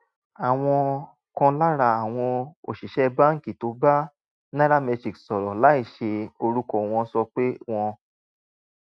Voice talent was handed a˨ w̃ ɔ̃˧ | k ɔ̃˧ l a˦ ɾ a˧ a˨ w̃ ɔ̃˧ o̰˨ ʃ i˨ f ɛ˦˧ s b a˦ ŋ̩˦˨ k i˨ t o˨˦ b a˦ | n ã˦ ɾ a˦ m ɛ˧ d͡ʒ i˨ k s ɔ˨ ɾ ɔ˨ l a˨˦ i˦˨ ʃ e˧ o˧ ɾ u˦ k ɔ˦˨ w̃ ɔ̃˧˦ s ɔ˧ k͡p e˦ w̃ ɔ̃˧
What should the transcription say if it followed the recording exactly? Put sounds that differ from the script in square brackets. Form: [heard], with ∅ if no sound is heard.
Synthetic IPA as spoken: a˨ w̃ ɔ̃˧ | k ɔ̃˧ l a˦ ɾ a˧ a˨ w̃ ɔ̃˧ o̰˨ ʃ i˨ [ʃ] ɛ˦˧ [∅] b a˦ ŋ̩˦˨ k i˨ t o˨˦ b a˦ | n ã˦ ɾ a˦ m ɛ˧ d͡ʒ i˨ k s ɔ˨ ɾ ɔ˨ l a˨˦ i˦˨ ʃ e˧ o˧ ɾ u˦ k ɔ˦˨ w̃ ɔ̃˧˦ s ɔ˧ k͡p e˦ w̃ ɔ̃˧